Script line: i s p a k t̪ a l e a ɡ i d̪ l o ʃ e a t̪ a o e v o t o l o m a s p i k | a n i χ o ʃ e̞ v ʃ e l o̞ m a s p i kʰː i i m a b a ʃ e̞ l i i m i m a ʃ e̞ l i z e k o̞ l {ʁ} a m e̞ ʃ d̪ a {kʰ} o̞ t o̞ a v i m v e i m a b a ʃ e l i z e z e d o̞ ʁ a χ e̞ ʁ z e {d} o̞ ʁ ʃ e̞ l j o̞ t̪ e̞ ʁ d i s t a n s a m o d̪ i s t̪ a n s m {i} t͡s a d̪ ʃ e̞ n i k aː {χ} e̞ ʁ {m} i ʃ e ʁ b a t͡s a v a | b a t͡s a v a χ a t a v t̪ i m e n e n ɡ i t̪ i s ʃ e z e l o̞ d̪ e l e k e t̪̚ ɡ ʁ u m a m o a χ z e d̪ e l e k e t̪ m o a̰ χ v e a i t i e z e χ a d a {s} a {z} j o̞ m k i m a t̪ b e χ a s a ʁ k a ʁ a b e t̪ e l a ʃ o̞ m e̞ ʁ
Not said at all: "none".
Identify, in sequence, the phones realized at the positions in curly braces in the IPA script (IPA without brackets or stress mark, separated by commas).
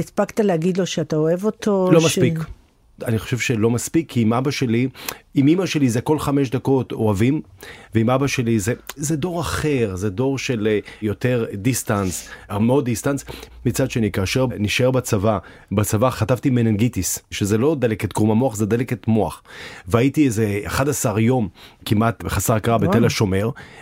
χ, k, d, i, ʃ, n, s, ʁ